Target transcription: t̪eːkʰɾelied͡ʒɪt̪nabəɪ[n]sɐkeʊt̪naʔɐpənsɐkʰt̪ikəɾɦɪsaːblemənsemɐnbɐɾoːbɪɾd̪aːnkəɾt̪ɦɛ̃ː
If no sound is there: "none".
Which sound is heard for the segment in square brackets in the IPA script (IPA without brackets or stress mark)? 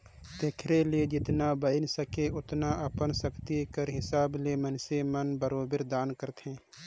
n